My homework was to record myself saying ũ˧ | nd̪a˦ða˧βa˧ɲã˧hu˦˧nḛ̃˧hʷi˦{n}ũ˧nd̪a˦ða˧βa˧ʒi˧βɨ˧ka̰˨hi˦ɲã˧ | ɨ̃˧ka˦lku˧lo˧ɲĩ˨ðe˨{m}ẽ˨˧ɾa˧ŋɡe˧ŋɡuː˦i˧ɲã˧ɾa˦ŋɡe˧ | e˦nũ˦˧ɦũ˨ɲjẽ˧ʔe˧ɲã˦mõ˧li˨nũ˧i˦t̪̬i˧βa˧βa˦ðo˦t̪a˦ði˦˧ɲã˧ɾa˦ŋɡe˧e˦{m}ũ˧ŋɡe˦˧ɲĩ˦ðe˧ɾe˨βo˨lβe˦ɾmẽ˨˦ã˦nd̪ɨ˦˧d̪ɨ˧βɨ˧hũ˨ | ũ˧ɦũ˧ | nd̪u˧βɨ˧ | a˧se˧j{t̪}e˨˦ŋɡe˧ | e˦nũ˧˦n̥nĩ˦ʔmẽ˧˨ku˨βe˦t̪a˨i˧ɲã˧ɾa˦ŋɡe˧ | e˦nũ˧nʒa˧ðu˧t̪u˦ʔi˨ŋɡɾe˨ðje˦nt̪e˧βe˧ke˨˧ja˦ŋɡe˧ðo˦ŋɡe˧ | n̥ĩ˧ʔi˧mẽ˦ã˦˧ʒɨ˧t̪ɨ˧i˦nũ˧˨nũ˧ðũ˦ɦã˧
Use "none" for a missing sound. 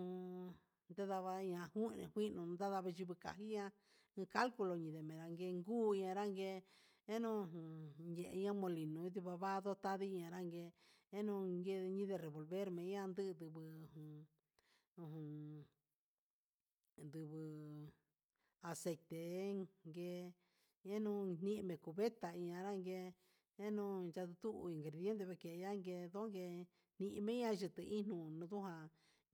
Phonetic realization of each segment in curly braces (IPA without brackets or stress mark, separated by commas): n, m, n, t̪